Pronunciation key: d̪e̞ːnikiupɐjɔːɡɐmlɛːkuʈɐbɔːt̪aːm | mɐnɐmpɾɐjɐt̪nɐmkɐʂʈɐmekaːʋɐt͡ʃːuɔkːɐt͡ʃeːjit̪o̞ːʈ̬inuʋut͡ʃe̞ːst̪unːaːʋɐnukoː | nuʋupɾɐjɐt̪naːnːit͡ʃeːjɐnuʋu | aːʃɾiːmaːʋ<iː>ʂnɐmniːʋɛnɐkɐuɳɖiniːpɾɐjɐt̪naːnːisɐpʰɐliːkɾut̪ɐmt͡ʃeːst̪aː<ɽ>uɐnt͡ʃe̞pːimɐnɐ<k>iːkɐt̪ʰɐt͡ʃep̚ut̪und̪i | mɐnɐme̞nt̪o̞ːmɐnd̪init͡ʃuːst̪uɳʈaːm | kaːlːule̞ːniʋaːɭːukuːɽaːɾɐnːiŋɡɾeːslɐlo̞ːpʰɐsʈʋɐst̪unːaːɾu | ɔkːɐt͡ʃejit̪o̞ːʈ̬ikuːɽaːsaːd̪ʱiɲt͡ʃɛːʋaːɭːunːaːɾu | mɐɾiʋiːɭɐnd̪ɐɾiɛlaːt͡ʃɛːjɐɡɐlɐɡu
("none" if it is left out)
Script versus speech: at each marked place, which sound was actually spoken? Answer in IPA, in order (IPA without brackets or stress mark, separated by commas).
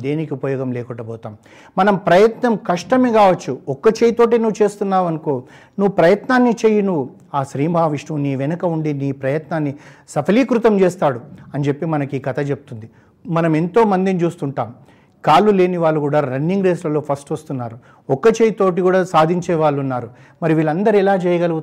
i, ɽ, k